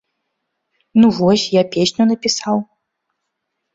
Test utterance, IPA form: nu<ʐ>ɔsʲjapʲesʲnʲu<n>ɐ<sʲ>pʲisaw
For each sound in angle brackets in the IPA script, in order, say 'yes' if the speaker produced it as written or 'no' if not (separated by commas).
no, yes, no